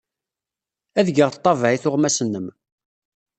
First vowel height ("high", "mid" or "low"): low